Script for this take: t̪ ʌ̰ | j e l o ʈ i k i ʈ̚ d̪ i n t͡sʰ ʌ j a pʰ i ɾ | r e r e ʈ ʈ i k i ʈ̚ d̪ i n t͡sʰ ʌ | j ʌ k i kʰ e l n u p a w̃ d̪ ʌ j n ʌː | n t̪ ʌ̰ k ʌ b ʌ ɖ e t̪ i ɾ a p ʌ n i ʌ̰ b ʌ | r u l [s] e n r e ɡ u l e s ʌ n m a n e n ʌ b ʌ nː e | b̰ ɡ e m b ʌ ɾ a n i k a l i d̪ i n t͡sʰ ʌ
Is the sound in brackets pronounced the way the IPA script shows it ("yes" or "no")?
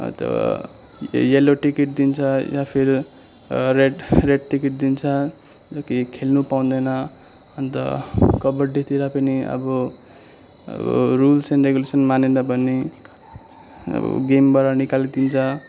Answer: yes